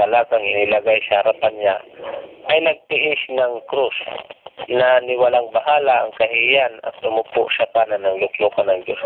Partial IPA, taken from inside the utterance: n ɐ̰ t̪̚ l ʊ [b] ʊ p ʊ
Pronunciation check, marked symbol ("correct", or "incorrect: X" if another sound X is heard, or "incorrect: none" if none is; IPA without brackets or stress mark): incorrect: m